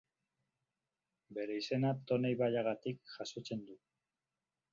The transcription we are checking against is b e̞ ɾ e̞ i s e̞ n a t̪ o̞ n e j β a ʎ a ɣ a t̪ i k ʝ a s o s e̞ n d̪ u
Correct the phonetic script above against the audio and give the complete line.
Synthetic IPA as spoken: b e̞ ɾ e̞ i s e̞ n a t̪ o̞ n e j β a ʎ a ɣ a t̪ i k ʝ a s o t͡s e̞ n d̪ u